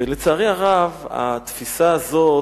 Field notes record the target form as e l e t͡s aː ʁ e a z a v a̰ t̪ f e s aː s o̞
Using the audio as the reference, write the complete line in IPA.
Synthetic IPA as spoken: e l e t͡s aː ʁ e a ʁ a v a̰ t̪ f i s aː z o̞